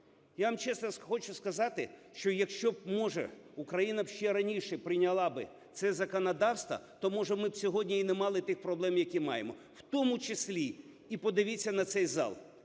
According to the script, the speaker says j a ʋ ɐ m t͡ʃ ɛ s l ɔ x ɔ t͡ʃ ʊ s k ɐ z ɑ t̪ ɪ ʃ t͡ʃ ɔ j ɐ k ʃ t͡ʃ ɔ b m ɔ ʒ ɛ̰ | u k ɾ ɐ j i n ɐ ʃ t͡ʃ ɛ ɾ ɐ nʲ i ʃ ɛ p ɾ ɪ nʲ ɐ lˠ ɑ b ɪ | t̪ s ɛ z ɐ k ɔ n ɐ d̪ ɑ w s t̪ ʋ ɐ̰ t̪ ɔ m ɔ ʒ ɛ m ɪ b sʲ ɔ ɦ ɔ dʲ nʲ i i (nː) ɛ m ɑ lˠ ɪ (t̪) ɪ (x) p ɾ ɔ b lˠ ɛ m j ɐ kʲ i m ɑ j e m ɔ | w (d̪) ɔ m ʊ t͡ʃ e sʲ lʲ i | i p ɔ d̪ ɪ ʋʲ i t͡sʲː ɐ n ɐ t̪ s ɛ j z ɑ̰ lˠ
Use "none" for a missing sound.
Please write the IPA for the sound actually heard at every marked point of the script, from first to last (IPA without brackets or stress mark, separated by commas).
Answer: n, t̪, x, t̪